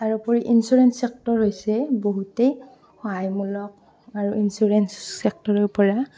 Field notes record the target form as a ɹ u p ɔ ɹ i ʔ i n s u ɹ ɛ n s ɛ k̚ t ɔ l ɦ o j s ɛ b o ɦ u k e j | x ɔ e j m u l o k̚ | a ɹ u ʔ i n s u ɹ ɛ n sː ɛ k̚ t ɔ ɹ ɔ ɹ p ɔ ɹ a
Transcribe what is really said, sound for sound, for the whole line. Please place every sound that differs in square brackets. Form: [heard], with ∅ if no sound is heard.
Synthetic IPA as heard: a ɹ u p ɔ ɹ i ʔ i n s u ɹ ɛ n s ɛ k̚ t ɔ [ɹ] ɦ o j s ɛ b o ɦ u [t] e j | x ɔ [a] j m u l [ɔ] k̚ | a ɹ u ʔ i n s u ɹ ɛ n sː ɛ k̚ t ɔ ɹ ɔ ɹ p ɔ ɹ a